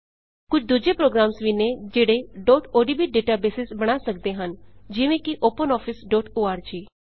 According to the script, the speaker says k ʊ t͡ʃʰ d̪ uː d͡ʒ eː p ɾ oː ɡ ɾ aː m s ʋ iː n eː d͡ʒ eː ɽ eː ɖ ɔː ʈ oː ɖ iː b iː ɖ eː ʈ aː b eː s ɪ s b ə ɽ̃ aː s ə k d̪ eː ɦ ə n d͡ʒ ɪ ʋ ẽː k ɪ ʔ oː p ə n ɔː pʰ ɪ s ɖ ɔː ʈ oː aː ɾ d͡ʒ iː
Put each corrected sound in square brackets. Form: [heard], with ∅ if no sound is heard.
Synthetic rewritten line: k ʊ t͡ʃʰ d̪ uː d͡ʒ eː p ɾ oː ɡ ɾ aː m s ʋ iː n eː d͡ʒ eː ɽ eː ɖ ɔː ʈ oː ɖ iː b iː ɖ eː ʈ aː b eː s ɪ s b ə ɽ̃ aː s ə k d̪ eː ɦ ə n d͡ʒ ɪ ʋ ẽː k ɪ ʔ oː p ə n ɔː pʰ ɪ s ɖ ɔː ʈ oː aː ɾ d͡ʒ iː

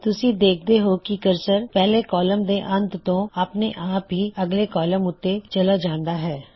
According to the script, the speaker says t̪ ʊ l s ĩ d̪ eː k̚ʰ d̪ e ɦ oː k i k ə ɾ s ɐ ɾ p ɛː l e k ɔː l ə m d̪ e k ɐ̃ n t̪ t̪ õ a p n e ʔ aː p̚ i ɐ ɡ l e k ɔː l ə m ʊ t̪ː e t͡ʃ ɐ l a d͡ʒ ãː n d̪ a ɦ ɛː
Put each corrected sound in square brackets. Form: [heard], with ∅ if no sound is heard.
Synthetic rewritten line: t̪ ʊ [∅] s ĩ d̪ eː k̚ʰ d̪ e ɦ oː k i k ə ɾ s [ə] ɾ p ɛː l e k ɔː l ə m d̪ e [ʔ] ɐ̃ n t̪ t̪ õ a p n e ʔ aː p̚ i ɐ ɡ l e k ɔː l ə m ʊ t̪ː e t͡ʃ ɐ l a d͡ʒ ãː n d̪ a ɦ ɛː

